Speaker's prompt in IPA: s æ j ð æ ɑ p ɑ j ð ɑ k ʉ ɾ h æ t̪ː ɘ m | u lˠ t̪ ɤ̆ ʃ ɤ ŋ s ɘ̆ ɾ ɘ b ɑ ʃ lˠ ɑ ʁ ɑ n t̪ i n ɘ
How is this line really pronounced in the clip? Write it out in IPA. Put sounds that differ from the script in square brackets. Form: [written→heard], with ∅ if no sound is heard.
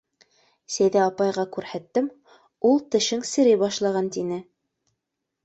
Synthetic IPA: s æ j ð æ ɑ p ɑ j [ð→ʁ] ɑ k ʉ ɾ h æ t̪ː ɘ m | u lˠ t̪ ɤ̆ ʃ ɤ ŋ s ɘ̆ ɾ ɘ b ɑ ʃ lˠ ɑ ʁ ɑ n t̪ i n ɘ